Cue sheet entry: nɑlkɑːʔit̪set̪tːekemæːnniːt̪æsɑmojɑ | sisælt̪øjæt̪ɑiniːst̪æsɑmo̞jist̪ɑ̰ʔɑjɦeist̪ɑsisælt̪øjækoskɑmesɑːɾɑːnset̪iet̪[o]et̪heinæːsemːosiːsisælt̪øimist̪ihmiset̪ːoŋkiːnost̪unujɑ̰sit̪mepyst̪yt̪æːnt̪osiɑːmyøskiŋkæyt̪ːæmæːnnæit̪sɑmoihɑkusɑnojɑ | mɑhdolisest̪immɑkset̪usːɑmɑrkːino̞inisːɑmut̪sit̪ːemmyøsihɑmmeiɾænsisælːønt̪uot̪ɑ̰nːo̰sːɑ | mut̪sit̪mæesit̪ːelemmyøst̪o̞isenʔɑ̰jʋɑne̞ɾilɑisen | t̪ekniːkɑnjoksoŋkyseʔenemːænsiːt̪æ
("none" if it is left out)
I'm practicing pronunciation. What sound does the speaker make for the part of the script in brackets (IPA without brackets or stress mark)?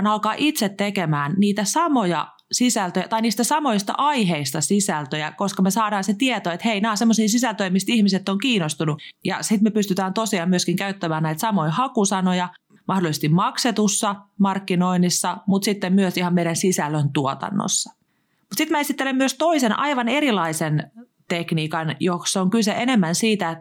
o